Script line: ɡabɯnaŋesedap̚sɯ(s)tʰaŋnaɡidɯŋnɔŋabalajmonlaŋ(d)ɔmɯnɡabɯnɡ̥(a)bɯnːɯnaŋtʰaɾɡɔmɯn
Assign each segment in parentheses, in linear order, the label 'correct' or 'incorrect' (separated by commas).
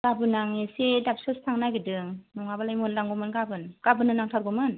correct, incorrect, correct